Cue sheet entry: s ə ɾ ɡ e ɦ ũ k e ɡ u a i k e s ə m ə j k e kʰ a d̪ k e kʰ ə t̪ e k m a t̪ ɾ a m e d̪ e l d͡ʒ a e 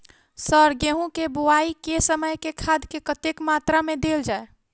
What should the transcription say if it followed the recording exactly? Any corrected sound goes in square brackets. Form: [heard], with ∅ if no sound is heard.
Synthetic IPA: s ə ɾ ɡ e ɦ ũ k e [b] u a i k e s ə m ə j k e kʰ a d̪ k e [k] ə t̪ e k m a t̪ ɾ a m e d̪ e l d͡ʒ a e